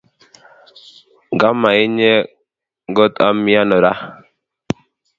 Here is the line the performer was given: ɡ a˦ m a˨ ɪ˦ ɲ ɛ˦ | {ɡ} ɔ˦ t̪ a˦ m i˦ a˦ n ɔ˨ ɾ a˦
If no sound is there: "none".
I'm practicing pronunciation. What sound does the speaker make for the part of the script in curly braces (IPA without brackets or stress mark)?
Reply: ɡ